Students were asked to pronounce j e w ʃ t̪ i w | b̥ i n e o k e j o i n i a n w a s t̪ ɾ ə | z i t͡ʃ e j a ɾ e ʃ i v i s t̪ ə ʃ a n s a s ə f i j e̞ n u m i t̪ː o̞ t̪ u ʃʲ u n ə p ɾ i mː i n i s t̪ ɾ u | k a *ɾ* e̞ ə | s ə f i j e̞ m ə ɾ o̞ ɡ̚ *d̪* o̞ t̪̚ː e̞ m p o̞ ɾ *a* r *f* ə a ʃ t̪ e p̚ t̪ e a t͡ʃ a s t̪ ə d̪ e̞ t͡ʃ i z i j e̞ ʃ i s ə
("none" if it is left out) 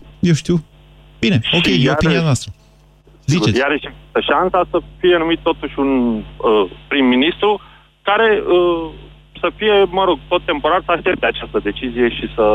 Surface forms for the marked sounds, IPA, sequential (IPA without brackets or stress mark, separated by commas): ɾ, t̪, a, s